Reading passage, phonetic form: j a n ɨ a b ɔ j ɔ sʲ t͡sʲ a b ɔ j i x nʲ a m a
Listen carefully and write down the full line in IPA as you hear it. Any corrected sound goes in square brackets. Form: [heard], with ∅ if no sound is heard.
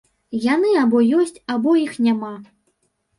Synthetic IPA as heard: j a n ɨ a b ɔ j ɔ sʲ t͡sʲ a b ɔ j i x nʲ a m a